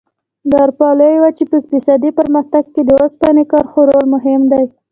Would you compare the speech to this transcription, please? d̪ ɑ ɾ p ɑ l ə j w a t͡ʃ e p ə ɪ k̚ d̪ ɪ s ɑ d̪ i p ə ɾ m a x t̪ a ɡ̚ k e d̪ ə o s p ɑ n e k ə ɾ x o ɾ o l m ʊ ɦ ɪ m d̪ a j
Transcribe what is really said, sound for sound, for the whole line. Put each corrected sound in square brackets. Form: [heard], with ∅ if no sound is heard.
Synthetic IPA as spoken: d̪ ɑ ɾ p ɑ l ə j w a t͡ʃ e p ə ɪ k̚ [t̪] ɪ s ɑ d̪ i p ə ɾ m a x t̪ a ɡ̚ k e d̪ ə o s p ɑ n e k [ɑ] ɾ x o ɾ o l m ʊ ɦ ɪ m d̪ a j

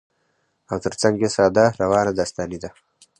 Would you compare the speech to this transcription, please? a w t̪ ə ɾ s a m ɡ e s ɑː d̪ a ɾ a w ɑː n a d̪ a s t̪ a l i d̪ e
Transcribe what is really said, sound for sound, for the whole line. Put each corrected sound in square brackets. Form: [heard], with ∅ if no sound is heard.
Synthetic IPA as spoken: a w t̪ ə ɾ [t͡s] a [ŋ] ɡ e s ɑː d̪ a ɾ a w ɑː n a d̪ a s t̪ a l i d̪ [a]

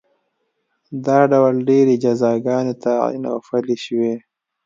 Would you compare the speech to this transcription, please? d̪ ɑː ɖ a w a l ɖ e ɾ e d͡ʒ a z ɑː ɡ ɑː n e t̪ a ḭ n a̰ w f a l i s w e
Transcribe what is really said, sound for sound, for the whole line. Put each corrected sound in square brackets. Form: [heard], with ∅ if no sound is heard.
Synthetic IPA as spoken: d̪ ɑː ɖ a w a l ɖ e ɾ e d͡ʒ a z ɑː ɡ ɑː n e t̪ a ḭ n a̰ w f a l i [ʃ] w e

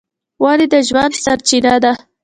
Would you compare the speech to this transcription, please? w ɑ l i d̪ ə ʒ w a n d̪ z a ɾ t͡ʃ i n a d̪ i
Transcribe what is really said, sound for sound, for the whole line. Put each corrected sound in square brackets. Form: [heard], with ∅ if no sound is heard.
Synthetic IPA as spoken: w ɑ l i d̪ ə ʒ w a n d̪ [s] a ɾ t͡ʃ i n a d̪ [a]

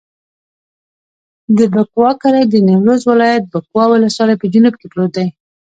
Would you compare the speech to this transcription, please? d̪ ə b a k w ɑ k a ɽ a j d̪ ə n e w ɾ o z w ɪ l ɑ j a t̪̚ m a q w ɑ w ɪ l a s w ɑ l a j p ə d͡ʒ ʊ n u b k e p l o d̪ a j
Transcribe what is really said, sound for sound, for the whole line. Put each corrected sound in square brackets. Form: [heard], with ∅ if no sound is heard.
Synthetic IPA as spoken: d̪ ə b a k w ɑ k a [ɾ] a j d̪ ə n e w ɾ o z w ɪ l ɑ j a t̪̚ [b] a [k] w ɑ w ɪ l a s w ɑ l a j p ə d͡ʒ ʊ n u b k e p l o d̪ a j

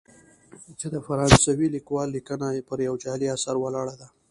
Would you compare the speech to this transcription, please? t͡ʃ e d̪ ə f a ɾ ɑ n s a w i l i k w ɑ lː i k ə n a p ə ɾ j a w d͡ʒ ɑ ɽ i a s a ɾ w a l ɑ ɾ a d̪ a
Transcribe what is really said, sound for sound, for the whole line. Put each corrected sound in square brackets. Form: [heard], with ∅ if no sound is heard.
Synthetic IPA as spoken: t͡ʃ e d̪ ə f a ɾ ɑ n s a w i l i k w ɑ lː i k ə n a p ə ɾ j a w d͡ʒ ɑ [l] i a s a ɾ w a l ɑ [ɽ] a d̪ a

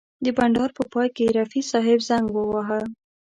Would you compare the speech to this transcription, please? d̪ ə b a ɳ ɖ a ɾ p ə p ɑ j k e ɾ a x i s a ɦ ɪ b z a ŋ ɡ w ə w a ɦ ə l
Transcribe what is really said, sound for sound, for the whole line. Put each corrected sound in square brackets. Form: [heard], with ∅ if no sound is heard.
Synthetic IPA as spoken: d̪ ə b a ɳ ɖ [ɑ] ɾ p ə p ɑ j k e ɾ a [f] i s [ɑ] ɦ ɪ b z a ŋ ɡ w ə w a ɦ ə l

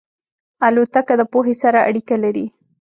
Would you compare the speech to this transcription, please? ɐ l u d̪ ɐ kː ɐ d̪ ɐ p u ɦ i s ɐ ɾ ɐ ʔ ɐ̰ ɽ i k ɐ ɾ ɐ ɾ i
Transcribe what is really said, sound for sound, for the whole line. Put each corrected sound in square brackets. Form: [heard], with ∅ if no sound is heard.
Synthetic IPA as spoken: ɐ l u [t̪] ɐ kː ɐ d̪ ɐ p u ɦ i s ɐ ɾ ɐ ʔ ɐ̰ ɽ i k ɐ [l] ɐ ɾ i

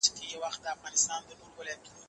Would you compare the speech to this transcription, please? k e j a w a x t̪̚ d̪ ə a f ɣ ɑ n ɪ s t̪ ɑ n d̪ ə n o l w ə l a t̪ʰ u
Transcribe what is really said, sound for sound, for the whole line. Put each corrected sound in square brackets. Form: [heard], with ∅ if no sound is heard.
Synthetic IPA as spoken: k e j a w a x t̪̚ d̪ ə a f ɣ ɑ n ɪ s t̪ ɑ n d̪ ə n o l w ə l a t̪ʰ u

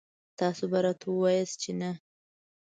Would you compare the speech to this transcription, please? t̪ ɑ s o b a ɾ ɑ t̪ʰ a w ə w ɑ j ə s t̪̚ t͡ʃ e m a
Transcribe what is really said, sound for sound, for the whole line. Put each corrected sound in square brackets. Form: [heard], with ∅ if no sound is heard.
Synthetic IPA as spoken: t̪ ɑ s o b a ɾ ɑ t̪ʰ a w ə w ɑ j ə s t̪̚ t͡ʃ e [n] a

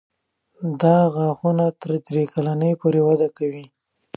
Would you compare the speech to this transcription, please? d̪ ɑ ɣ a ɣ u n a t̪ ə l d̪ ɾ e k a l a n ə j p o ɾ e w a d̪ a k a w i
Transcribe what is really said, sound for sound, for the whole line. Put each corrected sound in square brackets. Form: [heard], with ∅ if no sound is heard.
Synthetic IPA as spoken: d̪ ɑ ɣ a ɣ u n a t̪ ə [ɾ] d̪ ɾ e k a l a n ə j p o ɾ e w a d̪ a k a w i

